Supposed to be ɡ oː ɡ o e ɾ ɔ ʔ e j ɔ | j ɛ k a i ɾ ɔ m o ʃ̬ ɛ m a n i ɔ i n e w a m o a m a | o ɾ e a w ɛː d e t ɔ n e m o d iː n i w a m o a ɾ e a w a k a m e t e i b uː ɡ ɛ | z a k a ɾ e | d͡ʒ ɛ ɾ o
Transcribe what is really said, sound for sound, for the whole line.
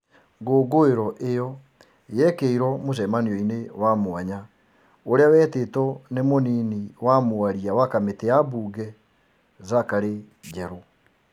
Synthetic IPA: ɡ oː ɡ o e ɾ ɔ ʔ e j ɔ | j ɛ k e i ɾ ɔ m o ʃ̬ ɛ m a n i ɔ i n e w a m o a ɲ a | o ɾ e a w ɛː t e t ɔ n e m o n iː n i w a m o a ɾ i a w a k a m e t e a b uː ɡ ɛ | z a k a ɾ e | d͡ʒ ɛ ɾ o